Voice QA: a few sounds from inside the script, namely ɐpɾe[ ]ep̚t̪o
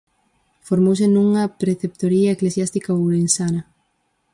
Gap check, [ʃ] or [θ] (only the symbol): θ